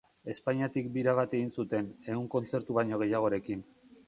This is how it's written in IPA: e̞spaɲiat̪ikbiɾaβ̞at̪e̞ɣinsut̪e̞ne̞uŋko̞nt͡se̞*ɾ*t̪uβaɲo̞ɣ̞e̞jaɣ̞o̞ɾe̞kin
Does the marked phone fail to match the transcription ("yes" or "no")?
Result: no